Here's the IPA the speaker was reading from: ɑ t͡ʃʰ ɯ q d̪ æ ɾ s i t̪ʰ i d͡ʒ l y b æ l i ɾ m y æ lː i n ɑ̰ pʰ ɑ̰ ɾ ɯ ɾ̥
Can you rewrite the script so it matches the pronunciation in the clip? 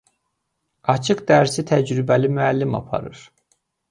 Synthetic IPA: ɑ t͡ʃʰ ɯ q d̪ æ ɾ s i t̪ʰ æ d͡ʒ ɾ y b æ l i m y æ lː i m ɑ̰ pʰ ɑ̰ ɾ ɯ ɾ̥